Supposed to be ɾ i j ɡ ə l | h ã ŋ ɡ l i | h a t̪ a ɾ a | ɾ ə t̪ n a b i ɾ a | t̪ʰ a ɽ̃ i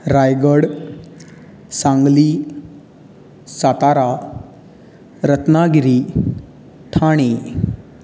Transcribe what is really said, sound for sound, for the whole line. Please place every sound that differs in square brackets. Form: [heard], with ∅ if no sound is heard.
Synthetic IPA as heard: ɾ [a] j ɡ ə [ɽ] | [s] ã ŋ ɡ l i | [s] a t̪ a ɾ a | ɾ ə t̪ n a [ɡ] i ɾ [i] | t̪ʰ a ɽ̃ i